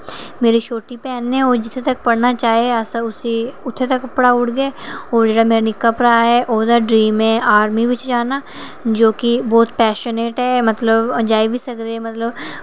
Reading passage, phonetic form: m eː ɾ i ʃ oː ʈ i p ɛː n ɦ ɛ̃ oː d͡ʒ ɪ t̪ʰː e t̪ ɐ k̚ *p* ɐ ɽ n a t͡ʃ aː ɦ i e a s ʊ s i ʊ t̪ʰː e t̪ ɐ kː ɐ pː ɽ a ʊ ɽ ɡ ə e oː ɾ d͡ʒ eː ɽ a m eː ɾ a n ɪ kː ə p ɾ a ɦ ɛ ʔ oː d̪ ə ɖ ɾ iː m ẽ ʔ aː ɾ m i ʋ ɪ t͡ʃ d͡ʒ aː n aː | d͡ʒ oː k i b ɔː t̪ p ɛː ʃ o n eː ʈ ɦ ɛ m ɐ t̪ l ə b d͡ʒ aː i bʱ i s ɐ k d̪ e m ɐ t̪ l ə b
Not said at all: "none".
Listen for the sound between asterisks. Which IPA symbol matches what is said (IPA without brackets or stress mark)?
p